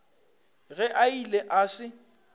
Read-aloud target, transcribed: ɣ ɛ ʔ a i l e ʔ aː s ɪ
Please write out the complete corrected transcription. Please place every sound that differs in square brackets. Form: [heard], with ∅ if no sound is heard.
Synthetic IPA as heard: ɣ ɛ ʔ a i l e ʔ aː s ɪ